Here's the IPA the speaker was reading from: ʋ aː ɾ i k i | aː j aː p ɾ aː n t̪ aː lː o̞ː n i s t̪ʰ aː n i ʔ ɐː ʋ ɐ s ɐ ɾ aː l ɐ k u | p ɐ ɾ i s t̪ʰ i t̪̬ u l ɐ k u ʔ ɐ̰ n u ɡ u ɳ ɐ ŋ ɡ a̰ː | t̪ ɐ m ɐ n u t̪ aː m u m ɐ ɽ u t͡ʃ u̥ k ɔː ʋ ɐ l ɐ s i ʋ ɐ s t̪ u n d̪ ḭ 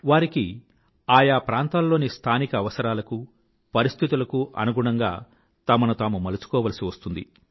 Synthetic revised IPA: ʋ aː ɾ i k i | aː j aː p ɾ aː n t̪ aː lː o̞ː n i s t̪ʰ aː n i k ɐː ʋ ɐ s ɐ ɾ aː l ɐ k u | p ɐ ɾ i s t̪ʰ i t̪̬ u l ɐ k u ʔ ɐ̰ n u ɡ u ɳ ɐ ŋ ɡ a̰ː | t̪ ɐ m ɐ n u t̪ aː m u m ɐ l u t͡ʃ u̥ k ɔː ʋ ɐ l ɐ s i ʋ ɐ s t̪ u n d̪ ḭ